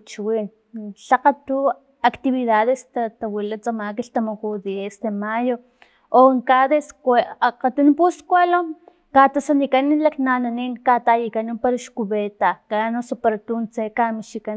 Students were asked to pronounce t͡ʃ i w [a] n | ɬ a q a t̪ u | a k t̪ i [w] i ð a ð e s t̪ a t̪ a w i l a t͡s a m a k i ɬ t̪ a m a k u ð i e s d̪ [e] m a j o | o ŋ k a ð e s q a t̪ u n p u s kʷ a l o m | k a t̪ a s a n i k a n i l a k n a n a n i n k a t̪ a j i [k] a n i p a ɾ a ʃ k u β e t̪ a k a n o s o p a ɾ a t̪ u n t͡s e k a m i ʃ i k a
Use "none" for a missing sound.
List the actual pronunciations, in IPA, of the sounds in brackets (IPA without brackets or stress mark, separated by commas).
i, β, e, k